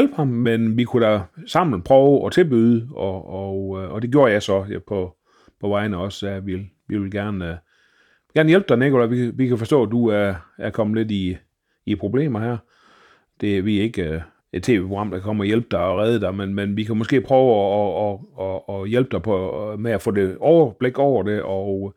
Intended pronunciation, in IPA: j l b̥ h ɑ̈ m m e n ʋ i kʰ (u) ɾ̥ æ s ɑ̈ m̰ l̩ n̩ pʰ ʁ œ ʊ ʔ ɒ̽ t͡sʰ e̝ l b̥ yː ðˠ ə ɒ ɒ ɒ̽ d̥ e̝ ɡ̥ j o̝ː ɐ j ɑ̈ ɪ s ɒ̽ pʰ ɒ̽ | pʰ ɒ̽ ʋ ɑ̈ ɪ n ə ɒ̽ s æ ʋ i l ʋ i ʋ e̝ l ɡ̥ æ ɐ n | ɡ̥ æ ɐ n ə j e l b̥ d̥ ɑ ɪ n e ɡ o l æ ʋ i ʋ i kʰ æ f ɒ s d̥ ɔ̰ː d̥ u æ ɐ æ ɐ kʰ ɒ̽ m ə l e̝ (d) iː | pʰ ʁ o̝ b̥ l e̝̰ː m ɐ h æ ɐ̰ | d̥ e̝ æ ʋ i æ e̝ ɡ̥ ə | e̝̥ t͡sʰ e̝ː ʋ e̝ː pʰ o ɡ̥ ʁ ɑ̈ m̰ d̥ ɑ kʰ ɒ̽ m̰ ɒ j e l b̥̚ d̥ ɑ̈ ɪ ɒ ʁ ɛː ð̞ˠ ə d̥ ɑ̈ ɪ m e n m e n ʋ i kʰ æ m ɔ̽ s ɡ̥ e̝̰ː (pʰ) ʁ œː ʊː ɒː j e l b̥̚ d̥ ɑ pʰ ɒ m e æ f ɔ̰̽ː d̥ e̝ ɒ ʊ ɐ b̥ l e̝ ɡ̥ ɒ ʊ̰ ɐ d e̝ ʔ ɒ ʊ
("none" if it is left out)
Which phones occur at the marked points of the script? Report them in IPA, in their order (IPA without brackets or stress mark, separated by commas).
u, d, pʰ